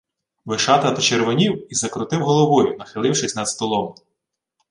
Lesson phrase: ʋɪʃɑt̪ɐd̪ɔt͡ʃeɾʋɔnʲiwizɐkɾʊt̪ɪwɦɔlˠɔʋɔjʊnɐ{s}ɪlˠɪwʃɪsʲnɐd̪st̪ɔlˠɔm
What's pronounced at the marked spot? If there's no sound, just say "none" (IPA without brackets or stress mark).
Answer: x